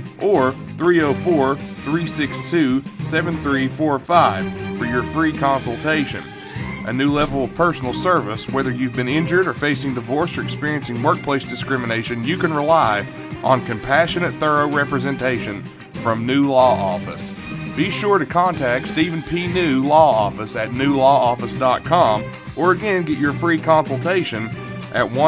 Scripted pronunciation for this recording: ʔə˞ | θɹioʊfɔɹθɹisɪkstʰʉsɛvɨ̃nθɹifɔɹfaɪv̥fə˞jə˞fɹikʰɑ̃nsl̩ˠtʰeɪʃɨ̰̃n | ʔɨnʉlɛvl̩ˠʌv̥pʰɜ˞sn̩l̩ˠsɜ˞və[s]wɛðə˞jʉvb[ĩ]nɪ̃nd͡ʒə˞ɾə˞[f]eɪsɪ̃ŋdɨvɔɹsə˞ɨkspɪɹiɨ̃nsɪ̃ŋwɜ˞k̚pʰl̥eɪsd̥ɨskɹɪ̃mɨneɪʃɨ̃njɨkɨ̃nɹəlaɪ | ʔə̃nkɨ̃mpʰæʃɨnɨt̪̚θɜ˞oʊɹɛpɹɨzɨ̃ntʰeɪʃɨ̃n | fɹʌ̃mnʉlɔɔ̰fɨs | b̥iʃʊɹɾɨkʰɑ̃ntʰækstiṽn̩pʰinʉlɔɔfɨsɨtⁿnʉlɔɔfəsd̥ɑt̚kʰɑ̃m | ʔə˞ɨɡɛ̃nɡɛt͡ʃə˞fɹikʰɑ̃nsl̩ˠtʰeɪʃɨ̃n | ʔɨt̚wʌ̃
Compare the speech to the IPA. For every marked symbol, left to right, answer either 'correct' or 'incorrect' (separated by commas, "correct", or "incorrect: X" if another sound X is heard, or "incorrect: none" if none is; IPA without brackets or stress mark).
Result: correct, incorrect: ɨ̃, correct